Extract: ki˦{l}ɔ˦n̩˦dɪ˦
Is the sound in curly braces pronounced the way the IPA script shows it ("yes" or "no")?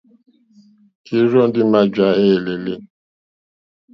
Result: no